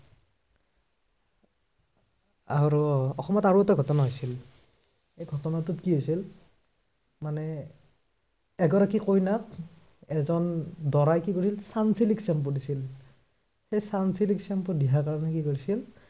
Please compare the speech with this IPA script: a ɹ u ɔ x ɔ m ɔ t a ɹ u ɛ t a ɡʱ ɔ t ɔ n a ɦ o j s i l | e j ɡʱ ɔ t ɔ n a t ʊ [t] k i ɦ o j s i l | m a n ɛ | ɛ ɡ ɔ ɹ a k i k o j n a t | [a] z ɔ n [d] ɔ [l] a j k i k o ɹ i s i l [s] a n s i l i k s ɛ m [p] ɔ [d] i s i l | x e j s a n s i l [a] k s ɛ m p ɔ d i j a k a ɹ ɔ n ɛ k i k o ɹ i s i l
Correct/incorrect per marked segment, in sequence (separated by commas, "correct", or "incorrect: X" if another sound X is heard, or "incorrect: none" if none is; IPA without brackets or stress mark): correct, incorrect: ɛ, correct, incorrect: ɹ, correct, correct, correct, incorrect: i